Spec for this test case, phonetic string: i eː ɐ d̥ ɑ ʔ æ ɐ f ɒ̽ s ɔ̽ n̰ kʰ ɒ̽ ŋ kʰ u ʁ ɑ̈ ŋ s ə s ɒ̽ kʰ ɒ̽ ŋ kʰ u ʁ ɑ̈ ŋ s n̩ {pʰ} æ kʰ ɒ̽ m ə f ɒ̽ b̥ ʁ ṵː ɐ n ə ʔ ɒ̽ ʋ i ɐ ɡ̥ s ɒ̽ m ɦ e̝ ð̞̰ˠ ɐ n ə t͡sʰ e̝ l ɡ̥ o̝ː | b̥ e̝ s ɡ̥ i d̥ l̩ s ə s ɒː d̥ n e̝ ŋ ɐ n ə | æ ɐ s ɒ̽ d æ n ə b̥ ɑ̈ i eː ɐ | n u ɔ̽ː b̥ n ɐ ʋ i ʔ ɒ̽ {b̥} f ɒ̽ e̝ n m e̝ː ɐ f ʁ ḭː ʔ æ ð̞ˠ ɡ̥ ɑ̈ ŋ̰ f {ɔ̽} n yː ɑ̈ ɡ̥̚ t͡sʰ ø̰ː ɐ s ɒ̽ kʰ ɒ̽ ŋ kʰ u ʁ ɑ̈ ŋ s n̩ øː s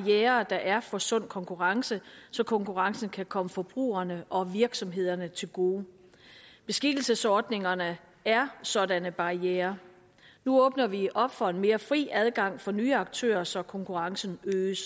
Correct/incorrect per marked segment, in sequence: incorrect, correct, incorrect

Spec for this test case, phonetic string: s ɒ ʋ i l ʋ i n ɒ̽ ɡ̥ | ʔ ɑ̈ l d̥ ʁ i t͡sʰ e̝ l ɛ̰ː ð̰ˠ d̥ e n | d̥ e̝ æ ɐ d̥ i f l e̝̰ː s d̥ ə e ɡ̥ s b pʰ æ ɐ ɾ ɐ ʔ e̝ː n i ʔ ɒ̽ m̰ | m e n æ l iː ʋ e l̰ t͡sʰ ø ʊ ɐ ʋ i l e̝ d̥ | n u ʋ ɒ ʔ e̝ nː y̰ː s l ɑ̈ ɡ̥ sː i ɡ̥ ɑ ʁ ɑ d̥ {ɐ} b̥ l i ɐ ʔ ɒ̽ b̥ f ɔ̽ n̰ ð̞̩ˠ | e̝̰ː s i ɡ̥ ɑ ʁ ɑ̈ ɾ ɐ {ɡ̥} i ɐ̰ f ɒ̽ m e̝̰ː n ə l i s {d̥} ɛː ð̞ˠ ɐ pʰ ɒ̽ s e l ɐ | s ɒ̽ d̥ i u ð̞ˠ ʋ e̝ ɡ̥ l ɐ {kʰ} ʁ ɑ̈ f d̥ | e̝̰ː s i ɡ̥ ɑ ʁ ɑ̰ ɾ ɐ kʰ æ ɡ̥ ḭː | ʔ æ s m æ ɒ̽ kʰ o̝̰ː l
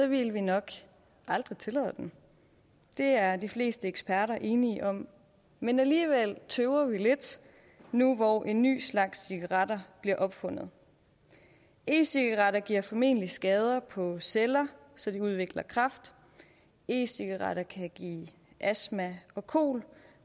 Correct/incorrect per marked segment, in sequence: correct, correct, incorrect, correct

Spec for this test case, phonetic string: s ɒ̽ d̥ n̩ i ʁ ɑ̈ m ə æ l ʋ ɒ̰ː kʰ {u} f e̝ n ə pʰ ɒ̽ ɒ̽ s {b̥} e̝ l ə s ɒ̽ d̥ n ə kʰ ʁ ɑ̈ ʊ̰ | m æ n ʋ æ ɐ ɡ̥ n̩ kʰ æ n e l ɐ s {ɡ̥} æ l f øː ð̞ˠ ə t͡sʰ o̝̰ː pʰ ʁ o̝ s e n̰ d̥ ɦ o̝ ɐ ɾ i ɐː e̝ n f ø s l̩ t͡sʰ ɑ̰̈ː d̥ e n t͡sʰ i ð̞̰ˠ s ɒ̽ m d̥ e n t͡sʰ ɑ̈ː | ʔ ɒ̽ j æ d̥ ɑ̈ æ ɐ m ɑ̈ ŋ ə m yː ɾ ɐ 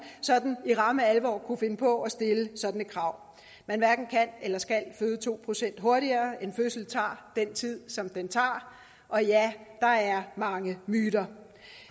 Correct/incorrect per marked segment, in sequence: correct, incorrect, correct

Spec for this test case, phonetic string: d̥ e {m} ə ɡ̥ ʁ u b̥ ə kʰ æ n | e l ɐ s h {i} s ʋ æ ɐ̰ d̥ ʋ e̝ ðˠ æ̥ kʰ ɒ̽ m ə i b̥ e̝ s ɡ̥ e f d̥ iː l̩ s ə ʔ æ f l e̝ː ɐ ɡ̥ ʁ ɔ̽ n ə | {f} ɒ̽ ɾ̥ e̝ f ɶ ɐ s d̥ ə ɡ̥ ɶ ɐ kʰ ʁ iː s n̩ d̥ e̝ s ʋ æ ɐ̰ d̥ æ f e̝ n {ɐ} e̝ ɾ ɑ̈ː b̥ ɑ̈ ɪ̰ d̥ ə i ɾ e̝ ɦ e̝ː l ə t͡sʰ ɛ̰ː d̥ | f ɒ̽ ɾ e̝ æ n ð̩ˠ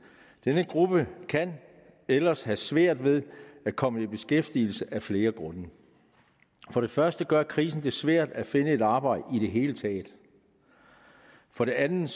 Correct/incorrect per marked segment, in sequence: incorrect, incorrect, correct, incorrect

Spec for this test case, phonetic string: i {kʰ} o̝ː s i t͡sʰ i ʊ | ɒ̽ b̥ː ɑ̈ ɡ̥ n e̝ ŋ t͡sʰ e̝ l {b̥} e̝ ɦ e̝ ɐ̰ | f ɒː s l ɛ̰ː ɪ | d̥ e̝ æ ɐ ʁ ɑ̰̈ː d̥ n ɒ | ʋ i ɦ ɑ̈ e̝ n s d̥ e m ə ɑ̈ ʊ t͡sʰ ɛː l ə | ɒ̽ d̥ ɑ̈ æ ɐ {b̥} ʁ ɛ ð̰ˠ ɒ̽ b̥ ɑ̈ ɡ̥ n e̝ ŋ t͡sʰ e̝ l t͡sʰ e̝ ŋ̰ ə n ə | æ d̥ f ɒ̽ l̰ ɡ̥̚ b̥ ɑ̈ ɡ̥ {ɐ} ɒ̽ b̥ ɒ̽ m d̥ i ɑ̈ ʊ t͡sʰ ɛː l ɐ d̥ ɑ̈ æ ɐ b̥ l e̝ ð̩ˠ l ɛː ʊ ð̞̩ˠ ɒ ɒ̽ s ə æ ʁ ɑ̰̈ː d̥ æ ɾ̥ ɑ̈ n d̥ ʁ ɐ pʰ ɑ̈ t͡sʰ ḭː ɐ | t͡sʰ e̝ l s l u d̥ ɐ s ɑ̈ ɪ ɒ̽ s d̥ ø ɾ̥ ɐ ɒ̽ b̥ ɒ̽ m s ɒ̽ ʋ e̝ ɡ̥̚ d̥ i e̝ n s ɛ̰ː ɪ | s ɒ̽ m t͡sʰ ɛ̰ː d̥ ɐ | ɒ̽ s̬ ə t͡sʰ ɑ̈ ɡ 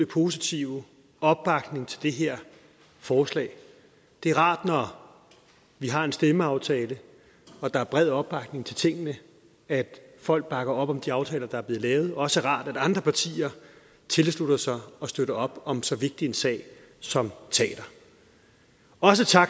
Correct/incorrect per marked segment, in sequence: incorrect, incorrect, correct, correct

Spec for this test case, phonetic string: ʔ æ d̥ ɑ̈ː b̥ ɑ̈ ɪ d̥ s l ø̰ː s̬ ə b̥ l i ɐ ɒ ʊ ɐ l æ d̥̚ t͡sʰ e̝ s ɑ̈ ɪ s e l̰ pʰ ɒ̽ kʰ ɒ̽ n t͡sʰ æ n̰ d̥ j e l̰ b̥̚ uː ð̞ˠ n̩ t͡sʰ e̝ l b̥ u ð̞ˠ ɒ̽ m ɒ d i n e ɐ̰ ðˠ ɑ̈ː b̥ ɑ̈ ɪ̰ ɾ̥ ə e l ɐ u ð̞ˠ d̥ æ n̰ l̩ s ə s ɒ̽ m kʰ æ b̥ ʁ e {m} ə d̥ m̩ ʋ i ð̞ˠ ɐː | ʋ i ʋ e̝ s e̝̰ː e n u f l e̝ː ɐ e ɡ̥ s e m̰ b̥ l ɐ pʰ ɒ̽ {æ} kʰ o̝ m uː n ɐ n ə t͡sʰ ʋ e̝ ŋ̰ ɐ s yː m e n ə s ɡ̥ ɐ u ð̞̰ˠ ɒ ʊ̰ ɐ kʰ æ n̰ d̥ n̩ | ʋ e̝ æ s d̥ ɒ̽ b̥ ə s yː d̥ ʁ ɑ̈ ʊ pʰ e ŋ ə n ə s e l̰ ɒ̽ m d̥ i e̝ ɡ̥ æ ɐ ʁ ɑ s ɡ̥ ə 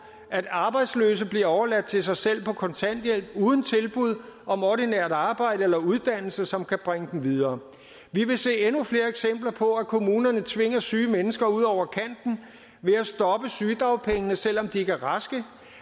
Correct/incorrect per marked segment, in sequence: incorrect, correct

